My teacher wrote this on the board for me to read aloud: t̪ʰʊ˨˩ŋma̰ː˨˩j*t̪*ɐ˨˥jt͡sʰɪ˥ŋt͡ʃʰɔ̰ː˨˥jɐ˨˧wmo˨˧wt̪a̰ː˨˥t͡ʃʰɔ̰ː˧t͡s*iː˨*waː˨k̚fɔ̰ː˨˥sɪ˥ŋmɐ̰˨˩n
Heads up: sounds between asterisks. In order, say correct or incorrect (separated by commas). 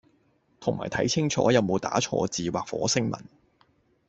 incorrect, correct